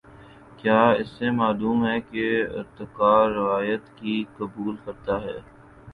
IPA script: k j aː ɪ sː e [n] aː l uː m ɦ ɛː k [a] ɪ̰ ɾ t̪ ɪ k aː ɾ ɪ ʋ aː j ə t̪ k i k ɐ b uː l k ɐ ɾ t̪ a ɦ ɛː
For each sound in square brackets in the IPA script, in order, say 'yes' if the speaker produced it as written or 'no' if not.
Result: no, no

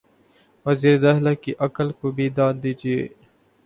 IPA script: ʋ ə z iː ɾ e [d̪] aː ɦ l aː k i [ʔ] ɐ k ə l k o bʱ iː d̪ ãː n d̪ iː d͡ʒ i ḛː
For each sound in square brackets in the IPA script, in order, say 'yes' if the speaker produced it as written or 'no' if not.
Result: yes, yes

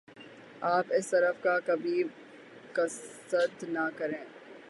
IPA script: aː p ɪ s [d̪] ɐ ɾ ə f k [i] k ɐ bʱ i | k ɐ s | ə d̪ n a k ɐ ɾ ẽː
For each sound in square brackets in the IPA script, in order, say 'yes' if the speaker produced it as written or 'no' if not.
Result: no, no

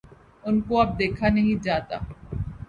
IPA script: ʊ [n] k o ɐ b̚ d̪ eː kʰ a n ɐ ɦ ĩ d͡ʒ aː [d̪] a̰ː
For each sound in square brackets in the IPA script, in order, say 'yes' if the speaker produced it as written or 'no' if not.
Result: yes, no

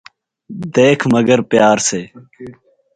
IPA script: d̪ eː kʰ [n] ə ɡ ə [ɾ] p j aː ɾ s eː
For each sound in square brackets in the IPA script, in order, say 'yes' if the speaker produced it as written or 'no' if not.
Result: no, yes

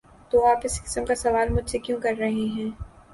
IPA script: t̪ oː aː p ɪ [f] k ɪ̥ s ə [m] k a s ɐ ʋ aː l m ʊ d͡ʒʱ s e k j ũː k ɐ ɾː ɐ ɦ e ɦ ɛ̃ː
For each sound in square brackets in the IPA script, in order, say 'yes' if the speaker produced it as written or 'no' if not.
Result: no, yes

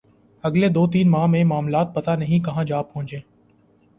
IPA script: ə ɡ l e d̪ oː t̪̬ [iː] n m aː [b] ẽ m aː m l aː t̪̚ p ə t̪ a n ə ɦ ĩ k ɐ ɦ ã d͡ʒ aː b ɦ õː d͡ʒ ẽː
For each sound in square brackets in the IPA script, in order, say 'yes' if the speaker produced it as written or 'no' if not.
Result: yes, no

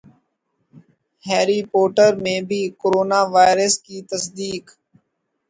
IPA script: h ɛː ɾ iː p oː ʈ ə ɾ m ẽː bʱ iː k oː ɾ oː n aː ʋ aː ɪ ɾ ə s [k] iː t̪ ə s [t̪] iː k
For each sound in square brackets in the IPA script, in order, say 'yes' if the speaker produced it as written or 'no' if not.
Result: yes, no

